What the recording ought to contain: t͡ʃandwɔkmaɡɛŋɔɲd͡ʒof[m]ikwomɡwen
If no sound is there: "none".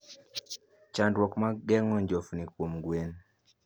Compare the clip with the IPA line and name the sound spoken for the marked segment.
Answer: n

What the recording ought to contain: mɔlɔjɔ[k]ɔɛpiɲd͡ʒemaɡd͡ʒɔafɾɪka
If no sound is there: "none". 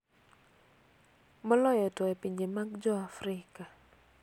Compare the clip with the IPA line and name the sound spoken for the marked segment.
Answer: t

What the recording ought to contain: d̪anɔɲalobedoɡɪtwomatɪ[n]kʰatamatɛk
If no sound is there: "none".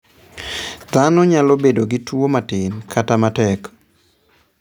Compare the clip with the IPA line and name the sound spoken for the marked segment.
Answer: n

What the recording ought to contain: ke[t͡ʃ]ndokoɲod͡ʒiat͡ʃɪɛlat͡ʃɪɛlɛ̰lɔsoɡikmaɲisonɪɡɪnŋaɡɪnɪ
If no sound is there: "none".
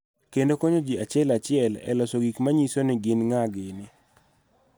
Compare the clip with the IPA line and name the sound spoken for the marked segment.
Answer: none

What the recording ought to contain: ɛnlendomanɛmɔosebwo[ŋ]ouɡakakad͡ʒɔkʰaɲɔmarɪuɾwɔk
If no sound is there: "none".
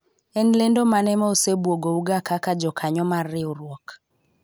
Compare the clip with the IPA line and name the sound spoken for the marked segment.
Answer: ɡ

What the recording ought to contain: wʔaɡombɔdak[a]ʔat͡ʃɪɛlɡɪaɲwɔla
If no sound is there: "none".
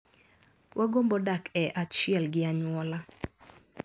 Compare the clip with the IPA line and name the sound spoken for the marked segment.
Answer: ɛ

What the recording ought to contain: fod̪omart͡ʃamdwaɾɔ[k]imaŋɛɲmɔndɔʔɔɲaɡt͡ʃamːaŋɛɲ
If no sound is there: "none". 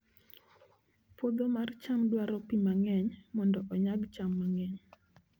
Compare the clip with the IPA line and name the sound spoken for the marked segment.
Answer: p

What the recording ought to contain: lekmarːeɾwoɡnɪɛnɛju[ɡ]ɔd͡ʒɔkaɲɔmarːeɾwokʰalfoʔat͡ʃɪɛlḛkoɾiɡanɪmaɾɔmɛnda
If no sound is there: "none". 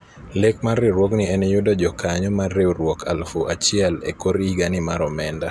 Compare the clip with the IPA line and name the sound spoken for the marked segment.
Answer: d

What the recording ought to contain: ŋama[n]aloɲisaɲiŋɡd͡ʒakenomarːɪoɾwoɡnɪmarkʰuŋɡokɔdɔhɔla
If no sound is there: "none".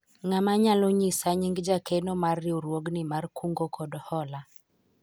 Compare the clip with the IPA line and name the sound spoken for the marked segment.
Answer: ɲ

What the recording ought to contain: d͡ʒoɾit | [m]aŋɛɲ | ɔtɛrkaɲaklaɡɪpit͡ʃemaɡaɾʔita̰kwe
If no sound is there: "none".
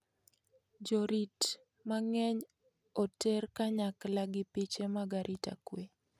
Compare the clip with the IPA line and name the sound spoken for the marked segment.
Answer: m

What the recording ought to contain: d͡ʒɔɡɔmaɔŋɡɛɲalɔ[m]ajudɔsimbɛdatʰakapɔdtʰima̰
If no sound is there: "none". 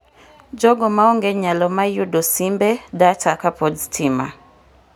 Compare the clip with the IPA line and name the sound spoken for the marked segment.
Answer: m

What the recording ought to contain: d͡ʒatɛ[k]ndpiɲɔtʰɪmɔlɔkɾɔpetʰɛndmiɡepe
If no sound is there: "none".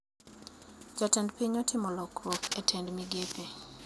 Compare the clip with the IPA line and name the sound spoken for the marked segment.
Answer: none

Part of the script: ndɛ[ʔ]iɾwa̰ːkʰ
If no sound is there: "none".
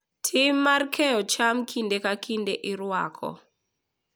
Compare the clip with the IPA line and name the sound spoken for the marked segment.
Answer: ʔ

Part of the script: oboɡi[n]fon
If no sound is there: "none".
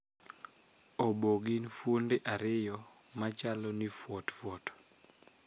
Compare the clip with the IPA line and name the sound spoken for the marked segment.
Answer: n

